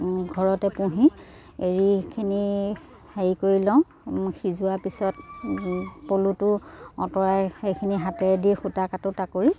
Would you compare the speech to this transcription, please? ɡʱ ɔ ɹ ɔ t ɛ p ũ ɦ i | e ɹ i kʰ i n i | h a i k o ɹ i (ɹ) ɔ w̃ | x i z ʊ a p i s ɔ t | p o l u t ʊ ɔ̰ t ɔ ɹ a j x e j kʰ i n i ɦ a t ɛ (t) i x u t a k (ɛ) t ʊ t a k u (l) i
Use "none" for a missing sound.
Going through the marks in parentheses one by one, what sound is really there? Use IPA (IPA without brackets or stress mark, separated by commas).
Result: l, d, a, ɹ